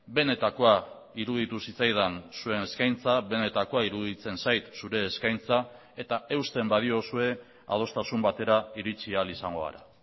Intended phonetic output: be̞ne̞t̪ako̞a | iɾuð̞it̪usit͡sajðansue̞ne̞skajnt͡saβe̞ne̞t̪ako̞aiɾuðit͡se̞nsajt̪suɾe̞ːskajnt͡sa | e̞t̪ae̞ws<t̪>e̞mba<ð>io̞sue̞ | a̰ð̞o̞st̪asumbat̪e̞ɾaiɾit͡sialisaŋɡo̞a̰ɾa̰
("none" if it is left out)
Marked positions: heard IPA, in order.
t̪, ð

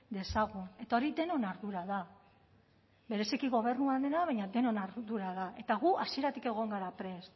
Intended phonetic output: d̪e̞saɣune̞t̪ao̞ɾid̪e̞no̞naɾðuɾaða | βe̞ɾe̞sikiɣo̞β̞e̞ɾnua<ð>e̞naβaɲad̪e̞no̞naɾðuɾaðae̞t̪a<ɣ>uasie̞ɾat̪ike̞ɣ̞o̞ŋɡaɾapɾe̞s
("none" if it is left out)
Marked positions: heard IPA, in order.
ð, ɣ

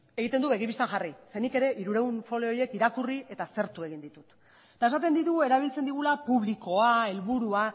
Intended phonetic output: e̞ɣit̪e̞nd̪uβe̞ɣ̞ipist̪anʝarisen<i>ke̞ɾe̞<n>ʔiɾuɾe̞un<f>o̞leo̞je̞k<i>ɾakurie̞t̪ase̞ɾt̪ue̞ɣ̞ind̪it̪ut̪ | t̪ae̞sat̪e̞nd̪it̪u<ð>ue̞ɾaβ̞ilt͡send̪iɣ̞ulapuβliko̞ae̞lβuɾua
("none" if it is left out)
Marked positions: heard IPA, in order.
i, none, f, i, ɣ

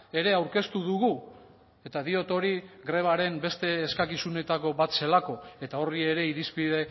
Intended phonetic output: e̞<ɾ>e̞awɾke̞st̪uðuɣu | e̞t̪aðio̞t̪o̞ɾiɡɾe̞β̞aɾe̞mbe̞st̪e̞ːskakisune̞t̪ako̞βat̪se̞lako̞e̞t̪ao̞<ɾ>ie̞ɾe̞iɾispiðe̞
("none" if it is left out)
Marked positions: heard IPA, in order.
ɾ, r

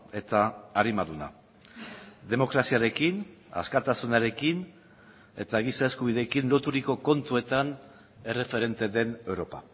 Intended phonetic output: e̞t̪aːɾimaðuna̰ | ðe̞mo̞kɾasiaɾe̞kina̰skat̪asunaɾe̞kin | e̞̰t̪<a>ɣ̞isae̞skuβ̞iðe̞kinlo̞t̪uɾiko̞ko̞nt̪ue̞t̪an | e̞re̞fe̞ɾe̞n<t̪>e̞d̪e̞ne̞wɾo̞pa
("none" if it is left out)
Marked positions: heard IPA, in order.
a, t̪

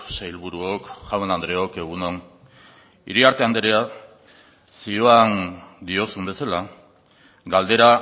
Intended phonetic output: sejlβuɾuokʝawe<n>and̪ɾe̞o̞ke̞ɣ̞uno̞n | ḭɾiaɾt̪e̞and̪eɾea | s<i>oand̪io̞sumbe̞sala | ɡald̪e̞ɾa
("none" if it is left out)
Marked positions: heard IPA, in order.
n, i

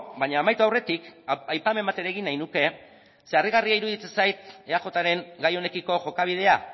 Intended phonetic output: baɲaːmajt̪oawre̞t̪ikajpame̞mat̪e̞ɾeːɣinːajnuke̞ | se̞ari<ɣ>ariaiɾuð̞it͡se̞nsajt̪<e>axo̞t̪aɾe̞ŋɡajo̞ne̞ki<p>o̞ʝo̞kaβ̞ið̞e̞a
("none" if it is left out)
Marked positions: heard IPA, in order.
ɣ, e, k

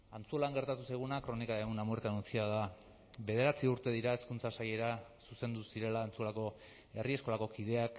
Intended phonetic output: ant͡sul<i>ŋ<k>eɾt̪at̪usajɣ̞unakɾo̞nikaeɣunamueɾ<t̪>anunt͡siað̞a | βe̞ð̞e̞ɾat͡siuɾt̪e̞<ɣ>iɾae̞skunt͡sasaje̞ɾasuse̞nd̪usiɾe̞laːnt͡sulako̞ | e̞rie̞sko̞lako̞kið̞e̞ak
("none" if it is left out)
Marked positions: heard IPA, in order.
a, ɡ, t̪, ð

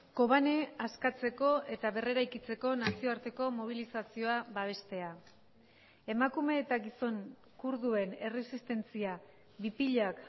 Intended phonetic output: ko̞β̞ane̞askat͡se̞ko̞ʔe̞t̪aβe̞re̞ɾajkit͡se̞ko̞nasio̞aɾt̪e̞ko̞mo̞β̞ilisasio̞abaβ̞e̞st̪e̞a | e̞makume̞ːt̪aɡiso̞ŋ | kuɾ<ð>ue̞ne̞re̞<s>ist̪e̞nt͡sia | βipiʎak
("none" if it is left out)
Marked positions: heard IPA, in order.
ð, s

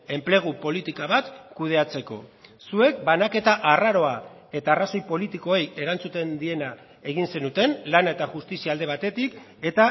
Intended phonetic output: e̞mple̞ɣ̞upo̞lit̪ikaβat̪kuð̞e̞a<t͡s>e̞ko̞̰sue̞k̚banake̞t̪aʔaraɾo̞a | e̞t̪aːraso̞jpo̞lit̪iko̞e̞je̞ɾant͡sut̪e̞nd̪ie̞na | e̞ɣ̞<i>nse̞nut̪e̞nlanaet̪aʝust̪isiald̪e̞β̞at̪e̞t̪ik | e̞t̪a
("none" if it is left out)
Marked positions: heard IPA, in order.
t͡s, i

